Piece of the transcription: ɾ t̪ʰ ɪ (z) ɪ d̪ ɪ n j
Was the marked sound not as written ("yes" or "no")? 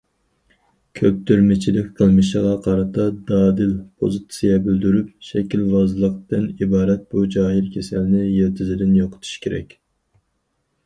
no